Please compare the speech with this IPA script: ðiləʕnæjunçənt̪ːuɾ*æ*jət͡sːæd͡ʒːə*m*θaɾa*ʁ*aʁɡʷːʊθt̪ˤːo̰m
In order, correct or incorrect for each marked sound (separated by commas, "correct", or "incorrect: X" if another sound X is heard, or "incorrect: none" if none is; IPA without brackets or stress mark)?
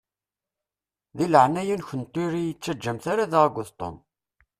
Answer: incorrect: i, correct, incorrect: ð